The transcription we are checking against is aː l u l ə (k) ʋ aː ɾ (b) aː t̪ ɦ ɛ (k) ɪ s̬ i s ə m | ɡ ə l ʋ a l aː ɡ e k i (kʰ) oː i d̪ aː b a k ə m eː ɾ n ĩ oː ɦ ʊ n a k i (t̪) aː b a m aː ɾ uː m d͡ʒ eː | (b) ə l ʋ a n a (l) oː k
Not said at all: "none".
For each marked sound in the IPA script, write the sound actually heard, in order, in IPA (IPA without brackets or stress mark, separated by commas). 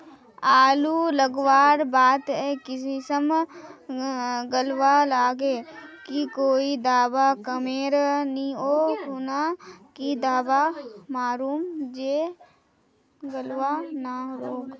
ɡ, b, k, k, d̪, ɡ, ɾ